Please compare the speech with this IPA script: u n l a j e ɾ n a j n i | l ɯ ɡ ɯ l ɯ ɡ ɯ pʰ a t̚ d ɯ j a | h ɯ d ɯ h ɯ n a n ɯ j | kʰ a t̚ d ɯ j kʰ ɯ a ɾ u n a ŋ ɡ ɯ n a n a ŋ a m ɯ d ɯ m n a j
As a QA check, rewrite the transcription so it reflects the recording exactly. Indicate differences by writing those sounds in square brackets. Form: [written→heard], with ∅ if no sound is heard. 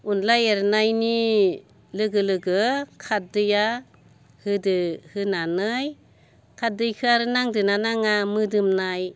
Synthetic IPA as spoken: u n l a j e ɾ n a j n i | l ɯ ɡ ɯ l ɯ ɡ ɯ [pʰ→kʰ] a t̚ d ɯ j a | h ɯ d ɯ h ɯ n a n ɯ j | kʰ a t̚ d ɯ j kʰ ɯ a ɾ [u→ɯ] n a ŋ [ɡ→d] ɯ n a n a ŋ a m ɯ d ɯ m n a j